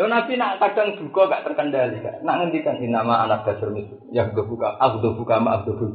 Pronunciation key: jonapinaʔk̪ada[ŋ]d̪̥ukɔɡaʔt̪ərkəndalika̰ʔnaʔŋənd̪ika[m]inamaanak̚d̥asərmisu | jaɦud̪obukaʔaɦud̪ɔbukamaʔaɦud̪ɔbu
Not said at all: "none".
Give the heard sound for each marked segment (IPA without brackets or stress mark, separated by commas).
ŋ, n